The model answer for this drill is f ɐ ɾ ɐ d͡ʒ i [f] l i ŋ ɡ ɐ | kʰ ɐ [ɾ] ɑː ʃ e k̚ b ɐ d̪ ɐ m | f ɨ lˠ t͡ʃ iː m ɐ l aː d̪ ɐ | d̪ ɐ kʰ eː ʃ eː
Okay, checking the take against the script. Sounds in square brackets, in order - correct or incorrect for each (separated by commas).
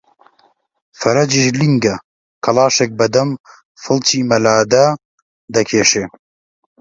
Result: incorrect, incorrect